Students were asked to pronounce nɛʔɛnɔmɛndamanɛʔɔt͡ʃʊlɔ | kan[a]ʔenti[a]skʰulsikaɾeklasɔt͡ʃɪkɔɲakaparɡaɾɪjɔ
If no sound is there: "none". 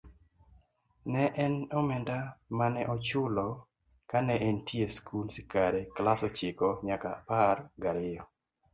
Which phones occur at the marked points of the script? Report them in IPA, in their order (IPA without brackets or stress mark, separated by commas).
ɛ, e